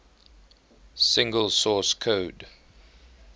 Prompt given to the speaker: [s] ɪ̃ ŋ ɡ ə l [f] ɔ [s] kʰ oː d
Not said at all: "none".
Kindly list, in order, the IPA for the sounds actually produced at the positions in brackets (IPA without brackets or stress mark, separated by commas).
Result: s, s, s